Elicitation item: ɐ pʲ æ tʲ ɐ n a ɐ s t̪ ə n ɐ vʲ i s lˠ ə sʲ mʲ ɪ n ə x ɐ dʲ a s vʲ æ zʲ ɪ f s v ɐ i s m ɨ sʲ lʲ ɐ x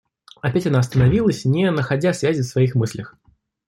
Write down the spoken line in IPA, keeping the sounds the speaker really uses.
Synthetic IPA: ɐ pʲ æ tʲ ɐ n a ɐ s t̪ ə n ɐ vʲ i lˠ ə sʲ nʲ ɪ n ə x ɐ dʲ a s vʲ æ zʲ ɪ f s v ɐ i x m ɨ sʲ lʲ ə x